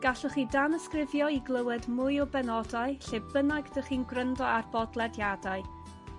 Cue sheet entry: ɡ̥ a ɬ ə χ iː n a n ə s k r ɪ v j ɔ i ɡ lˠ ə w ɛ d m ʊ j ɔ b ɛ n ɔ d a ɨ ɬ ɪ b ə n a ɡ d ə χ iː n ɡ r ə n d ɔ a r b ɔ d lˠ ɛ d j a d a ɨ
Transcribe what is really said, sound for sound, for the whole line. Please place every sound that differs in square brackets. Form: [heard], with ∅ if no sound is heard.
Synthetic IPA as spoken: ɡ̥ a ɬ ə χ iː [d] a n ə s k r ɪ v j ɔ i ɡ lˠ ə w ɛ d m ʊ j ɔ b ɛ n ɔ d a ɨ ɬ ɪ b ə n a ɡ d ə χ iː n ɡ r ə n d ɔ a r b ɔ d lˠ ɛ d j a d a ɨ